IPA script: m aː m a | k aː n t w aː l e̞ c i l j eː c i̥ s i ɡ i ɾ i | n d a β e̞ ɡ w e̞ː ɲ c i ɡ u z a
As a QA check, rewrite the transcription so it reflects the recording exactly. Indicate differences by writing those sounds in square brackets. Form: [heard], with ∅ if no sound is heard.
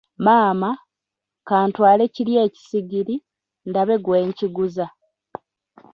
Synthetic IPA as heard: m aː m a | k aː n t w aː l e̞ c i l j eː c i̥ s i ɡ i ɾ i | n d a β e̞ ɡ w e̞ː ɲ c i ɡ u z a